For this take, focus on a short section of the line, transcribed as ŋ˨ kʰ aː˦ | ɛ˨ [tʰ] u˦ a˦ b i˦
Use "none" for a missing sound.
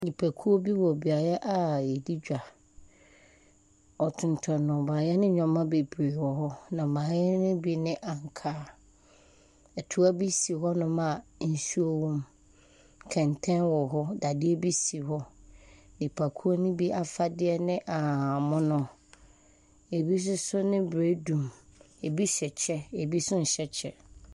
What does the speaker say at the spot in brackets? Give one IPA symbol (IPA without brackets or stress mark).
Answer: tʰ